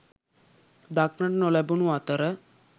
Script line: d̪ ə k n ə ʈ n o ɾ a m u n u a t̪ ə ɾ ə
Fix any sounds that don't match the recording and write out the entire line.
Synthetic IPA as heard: d̪ a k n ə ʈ n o l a b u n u a t̪ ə ɾ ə